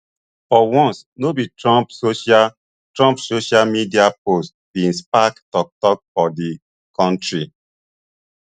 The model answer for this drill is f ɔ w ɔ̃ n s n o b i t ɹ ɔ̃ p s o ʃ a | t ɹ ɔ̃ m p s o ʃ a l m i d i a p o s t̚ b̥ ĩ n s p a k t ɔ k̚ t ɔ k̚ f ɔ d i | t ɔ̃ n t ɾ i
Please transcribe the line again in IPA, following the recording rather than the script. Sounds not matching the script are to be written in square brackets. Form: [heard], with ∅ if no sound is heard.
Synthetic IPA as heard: f ɔ w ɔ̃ n s n o b i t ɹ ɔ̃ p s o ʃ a | t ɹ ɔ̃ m p s o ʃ a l m i d i a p o s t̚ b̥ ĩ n s p a k t ɔ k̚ t ɔ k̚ f ɔ d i | [k] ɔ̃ n t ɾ i